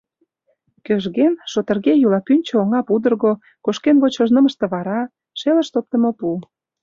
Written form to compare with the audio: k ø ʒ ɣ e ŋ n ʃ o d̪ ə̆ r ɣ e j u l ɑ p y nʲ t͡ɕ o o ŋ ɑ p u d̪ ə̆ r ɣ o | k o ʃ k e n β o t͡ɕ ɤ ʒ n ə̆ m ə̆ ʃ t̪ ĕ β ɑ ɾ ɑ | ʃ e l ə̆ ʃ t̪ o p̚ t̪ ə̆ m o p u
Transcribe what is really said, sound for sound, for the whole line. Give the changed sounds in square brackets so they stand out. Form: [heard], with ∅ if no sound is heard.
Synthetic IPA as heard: k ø ʒ ɣ e [∅] n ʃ o [t̪] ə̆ r ɣ e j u l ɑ p y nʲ t͡ɕ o o ŋ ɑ p u d̪ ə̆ r ɣ o | k o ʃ k e n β o t͡ɕ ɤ ʒ n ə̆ m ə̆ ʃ t̪ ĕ β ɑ ɾ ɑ | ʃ e l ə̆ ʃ t̪ o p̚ t̪ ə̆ m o p u